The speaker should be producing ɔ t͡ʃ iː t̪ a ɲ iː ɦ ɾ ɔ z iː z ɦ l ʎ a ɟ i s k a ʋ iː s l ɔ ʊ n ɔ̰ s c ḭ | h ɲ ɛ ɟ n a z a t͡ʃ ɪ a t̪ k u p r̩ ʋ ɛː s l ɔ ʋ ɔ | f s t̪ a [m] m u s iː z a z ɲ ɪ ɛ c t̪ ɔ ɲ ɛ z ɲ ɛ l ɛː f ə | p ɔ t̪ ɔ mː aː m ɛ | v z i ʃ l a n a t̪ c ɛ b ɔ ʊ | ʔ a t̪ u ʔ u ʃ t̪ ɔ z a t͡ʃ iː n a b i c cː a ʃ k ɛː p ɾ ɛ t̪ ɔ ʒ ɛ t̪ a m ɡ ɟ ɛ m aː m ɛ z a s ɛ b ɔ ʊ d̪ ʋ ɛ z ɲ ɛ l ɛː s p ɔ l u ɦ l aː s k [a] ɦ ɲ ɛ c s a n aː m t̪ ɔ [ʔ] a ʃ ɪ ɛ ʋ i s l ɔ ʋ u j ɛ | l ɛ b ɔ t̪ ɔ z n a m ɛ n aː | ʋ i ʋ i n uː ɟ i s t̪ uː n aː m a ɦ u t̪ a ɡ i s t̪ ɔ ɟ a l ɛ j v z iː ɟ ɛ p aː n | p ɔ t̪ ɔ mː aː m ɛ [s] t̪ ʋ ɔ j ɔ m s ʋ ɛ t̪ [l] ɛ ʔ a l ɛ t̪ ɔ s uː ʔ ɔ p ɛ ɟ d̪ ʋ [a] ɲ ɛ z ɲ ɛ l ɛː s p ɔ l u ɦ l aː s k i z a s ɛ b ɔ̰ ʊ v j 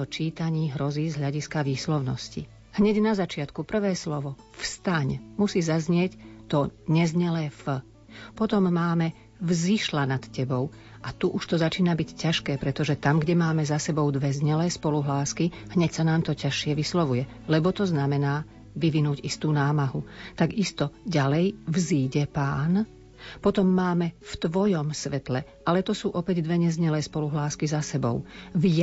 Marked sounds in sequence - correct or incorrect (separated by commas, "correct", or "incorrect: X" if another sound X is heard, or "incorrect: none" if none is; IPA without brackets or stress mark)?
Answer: incorrect: ɲ, incorrect: i, incorrect: c, incorrect: f, correct, incorrect: ɛ